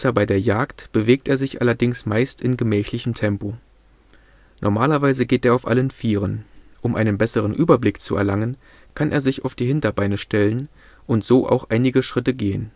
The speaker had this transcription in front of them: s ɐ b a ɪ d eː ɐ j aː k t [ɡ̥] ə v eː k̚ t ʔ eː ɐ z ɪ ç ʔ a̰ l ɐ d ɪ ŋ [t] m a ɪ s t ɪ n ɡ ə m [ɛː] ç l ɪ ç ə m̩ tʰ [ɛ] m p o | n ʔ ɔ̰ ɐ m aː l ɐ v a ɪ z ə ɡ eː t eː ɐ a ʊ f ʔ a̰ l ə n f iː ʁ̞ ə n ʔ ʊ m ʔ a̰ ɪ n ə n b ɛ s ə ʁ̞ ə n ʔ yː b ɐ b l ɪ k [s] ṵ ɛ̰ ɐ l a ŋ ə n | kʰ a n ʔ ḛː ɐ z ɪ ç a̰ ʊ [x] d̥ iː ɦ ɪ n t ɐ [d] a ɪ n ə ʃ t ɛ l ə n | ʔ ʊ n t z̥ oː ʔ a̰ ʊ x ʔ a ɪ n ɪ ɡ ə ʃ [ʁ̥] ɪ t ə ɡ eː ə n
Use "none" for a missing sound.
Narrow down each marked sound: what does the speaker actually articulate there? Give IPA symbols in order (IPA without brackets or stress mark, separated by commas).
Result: b̥, s, ɛː, ɛ, t͡s, f, b, ʁ̥